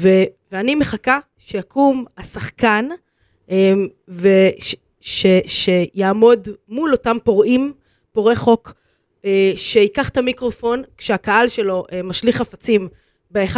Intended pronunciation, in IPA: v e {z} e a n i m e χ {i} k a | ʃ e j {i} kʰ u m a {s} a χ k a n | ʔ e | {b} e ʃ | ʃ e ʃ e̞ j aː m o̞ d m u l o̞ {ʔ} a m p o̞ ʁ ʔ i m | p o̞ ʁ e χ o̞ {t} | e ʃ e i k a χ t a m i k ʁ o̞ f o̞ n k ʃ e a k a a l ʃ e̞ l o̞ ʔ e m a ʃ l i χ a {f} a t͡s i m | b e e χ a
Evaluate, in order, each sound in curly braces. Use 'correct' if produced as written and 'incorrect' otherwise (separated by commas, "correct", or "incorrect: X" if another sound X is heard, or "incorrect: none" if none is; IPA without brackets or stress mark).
incorrect: v, incorrect: a, incorrect: a, correct, incorrect: v, incorrect: t, incorrect: k, correct